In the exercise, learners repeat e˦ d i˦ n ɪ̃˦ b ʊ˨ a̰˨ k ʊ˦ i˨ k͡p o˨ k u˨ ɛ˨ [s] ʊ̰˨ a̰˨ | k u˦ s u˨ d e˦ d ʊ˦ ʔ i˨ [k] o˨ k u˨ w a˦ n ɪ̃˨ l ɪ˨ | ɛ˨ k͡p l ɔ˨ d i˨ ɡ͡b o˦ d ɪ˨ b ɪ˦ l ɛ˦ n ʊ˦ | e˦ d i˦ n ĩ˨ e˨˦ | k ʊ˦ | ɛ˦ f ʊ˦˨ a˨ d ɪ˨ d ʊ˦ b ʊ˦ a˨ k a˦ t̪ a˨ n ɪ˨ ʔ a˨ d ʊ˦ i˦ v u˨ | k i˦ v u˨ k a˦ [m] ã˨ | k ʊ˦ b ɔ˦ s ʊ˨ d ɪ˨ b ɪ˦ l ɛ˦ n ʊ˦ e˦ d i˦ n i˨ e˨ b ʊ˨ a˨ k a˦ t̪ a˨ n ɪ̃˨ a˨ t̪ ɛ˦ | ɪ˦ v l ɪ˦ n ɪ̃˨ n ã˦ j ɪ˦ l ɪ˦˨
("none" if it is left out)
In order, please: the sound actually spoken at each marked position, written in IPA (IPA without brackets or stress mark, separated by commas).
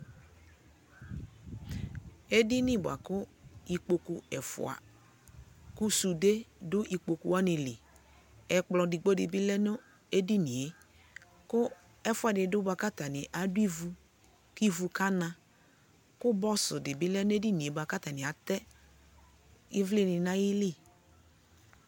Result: f, k͡p, n